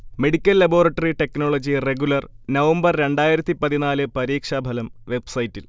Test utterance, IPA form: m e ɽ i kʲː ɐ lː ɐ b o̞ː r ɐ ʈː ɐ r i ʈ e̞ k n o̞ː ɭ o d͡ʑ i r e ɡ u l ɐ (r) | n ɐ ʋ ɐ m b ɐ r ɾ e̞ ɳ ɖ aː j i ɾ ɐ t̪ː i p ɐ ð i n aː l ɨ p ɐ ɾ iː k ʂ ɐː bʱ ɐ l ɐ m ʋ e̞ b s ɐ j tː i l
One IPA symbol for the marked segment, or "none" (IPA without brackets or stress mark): r